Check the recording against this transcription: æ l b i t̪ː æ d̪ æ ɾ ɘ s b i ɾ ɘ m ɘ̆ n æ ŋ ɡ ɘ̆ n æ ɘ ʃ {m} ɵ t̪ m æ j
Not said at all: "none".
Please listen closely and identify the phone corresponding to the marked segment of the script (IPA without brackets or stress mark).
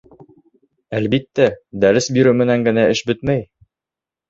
b